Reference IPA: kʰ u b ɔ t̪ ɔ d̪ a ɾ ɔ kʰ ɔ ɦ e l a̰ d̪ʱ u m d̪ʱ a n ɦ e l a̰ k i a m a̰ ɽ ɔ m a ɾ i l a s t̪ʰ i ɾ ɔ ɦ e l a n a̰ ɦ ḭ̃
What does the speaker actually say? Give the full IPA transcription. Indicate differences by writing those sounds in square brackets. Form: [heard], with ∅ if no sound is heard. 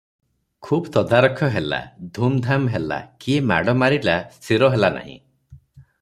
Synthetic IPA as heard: kʰ u b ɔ t̪ ɔ d̪ a ɾ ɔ kʰ ɔ ɦ e l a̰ d̪ʱ u m d̪ʱ a [m] ɦ e l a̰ k i [e] m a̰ ɽ ɔ m a ɾ i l a s t̪ʰ i ɾ ɔ ɦ e l a n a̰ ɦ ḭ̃